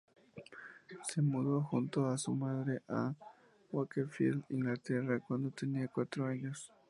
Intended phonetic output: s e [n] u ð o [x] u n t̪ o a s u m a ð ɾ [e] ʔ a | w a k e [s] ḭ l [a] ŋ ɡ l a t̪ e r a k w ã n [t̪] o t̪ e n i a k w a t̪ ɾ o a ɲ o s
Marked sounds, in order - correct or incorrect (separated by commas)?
incorrect, correct, correct, incorrect, incorrect, incorrect